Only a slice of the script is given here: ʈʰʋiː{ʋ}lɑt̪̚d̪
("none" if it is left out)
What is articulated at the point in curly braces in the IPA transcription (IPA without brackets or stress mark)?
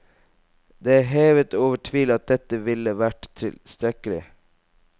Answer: none